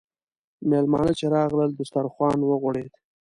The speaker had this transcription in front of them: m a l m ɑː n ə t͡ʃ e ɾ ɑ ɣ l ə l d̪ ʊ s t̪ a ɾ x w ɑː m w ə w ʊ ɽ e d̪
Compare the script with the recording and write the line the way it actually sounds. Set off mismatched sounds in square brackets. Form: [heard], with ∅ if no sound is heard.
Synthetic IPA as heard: m [e] l m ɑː n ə t͡ʃ e ɾ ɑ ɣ l ə l d̪ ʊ s t̪ a ɾ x w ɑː [n] w ə [ɣ] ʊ ɽ e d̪